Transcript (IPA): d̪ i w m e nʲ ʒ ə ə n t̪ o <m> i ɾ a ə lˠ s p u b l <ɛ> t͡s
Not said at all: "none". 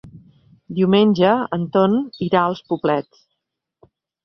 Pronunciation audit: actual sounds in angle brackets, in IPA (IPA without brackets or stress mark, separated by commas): n, ɛ